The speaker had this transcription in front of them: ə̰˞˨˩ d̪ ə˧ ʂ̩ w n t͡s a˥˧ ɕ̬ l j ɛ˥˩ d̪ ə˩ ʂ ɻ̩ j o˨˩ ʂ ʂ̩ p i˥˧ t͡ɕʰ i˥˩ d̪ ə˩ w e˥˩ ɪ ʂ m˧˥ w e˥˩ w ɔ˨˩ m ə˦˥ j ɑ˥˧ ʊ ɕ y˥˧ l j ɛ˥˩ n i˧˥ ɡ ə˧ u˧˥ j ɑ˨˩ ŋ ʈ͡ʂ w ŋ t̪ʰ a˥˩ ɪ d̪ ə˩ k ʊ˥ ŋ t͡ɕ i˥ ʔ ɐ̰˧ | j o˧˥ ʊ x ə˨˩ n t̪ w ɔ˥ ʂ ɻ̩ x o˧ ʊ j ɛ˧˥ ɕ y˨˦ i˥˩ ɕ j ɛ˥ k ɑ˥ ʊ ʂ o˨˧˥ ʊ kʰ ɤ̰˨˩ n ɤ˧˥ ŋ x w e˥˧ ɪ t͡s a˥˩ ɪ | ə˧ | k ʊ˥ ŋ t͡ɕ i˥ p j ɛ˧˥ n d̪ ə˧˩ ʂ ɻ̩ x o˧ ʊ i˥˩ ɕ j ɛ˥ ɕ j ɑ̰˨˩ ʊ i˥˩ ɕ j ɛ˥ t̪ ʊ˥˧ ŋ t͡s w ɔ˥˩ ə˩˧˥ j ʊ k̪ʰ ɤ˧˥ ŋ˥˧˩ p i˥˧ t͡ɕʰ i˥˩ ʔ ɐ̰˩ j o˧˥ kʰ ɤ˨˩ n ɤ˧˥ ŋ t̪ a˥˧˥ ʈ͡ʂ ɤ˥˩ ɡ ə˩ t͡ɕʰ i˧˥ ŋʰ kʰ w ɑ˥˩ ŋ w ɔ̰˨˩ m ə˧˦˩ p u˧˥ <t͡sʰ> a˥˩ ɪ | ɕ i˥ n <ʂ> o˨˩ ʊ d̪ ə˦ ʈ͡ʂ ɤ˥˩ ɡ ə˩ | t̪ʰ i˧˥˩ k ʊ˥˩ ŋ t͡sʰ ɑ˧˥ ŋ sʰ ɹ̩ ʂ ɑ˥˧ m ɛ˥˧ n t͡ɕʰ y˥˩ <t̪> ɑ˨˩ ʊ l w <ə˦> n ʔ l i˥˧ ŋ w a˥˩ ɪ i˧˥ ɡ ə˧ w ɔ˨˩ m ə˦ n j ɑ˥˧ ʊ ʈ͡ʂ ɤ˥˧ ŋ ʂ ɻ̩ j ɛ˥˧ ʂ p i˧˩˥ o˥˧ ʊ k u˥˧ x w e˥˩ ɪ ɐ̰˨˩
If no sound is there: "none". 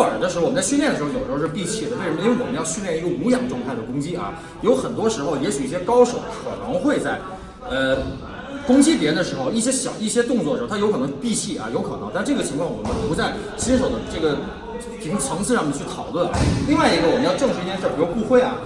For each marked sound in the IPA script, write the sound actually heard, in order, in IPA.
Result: t͡s, ʂ, t̪ʰ, ə˥˩

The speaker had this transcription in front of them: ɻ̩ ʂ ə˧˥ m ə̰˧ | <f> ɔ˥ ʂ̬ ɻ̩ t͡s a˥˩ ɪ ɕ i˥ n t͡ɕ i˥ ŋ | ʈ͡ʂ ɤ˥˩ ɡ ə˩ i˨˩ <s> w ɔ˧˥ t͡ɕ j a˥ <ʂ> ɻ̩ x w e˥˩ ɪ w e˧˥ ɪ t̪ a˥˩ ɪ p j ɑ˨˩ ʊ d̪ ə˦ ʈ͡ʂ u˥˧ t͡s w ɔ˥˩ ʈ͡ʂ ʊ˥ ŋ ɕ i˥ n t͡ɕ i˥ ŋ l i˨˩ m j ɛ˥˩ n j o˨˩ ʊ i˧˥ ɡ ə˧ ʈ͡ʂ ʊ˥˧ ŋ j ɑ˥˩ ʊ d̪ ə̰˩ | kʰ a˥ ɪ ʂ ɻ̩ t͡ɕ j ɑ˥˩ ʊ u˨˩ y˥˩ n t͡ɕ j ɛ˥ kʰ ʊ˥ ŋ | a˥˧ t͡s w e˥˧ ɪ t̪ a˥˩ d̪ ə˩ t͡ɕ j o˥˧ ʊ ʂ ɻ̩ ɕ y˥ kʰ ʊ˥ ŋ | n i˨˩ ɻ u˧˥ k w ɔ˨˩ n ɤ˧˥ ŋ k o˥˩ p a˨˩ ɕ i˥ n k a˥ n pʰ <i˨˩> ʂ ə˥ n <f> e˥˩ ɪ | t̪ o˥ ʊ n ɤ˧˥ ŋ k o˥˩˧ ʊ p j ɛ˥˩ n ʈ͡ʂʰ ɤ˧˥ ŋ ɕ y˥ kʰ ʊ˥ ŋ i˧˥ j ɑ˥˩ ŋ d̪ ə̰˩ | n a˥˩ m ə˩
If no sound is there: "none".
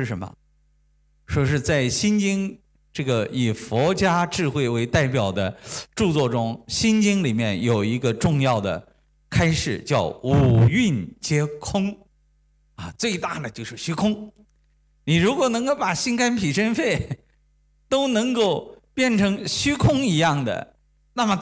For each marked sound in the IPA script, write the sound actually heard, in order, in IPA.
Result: ʂ, f, ʈ͡ʂ, i˨˩, f

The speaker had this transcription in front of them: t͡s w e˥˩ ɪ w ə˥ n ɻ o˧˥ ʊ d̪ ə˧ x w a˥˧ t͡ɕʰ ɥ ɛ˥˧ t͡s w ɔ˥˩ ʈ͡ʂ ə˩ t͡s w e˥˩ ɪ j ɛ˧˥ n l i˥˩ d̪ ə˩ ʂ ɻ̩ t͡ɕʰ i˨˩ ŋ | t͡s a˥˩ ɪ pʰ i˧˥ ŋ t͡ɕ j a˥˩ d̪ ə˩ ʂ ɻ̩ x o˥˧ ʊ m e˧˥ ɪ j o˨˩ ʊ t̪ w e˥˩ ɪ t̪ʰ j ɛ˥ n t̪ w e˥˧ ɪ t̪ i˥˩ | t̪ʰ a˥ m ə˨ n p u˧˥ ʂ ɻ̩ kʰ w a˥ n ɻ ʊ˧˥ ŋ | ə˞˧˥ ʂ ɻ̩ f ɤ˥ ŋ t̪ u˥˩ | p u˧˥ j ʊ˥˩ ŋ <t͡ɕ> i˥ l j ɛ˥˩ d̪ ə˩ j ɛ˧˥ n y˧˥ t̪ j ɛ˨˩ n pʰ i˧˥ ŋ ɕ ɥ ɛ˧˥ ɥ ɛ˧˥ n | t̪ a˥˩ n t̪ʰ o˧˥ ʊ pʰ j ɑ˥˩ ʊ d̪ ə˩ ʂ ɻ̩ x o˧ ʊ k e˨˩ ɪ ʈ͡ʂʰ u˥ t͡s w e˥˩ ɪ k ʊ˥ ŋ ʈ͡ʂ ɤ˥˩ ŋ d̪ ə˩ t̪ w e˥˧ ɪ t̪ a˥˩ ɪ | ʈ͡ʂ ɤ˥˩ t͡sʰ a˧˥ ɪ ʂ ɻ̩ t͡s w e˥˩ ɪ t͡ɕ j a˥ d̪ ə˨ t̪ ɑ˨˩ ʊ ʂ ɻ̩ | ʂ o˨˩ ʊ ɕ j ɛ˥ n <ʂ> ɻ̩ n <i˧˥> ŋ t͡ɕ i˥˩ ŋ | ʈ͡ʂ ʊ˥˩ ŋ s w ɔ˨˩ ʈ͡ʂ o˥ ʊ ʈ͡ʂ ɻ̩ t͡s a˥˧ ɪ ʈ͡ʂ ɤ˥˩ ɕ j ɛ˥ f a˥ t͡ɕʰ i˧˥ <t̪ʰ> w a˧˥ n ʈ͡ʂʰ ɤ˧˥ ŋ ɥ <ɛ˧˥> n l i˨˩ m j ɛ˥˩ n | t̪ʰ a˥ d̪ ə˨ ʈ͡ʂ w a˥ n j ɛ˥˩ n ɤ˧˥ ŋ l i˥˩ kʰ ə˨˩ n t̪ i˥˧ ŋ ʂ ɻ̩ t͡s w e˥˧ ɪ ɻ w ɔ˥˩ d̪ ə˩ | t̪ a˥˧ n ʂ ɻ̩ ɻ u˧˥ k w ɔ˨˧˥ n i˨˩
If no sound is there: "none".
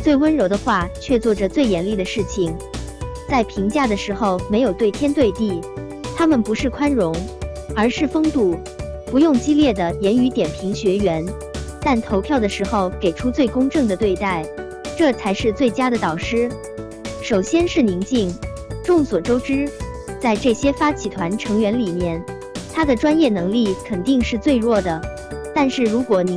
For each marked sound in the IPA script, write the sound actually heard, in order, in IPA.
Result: t͡ɕ, ʂ, i˧˥, t̪ʰ, ɛ˧˥

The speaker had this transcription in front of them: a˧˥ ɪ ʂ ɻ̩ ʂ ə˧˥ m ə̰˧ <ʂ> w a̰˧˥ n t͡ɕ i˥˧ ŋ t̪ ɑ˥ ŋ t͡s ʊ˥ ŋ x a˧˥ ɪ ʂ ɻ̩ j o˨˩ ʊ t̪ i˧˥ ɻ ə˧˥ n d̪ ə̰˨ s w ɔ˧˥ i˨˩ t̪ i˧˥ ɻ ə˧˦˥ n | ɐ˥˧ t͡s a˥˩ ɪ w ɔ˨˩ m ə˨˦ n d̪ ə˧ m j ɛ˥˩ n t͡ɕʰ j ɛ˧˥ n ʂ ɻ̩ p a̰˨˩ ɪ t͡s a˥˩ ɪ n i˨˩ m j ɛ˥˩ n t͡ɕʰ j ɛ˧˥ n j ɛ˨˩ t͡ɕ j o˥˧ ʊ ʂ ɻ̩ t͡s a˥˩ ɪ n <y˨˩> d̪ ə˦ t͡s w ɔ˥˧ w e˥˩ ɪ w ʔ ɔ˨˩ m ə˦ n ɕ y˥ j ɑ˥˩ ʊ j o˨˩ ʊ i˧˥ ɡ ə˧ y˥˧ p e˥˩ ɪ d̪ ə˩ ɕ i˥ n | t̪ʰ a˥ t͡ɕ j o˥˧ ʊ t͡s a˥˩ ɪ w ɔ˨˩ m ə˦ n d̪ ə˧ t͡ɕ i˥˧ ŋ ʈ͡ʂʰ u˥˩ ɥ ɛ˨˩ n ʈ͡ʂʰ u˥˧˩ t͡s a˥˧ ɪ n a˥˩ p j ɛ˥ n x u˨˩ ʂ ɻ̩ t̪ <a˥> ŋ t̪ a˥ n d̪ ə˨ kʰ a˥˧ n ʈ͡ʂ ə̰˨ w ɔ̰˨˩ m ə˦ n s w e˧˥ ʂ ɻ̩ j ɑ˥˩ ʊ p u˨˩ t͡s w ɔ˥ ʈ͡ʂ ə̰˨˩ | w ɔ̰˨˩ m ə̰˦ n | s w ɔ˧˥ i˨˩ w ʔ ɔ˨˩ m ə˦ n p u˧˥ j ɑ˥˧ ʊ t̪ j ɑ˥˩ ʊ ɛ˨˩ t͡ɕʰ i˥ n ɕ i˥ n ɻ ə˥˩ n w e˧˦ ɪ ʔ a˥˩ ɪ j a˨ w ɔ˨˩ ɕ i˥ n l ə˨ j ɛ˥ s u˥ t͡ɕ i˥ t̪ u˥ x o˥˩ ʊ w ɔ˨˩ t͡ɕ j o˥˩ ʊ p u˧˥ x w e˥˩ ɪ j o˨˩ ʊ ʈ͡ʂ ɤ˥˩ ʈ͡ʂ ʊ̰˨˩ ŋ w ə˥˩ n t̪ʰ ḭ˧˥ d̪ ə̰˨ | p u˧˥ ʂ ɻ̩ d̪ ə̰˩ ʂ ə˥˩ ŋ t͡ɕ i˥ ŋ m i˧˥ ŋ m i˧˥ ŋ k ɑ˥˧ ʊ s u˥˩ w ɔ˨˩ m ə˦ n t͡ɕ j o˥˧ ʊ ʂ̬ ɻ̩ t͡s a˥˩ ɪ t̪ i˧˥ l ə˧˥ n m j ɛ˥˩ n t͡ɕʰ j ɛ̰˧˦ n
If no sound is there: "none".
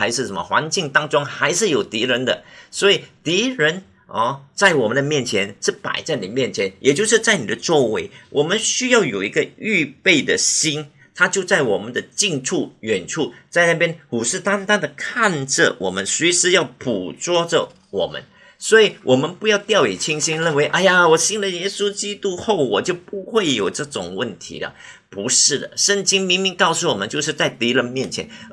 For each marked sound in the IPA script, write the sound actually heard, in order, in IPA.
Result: x, i˨˩, a˥

